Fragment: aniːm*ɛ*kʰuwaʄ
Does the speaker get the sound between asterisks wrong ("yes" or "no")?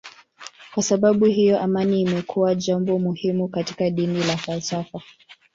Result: no